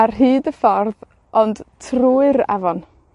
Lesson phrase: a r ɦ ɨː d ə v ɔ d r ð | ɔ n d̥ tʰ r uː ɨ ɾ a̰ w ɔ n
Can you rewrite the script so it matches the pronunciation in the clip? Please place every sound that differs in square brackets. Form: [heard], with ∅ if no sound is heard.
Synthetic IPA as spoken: a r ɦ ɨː d ə [f] ɔ [∅] r ð | ɔ n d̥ tʰ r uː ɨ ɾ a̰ [v] ɔ n